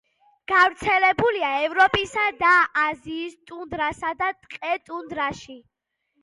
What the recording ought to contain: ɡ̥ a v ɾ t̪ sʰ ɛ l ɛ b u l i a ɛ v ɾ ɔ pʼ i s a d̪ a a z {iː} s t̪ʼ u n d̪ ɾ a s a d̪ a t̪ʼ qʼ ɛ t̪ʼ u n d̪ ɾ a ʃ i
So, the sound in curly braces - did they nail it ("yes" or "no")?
yes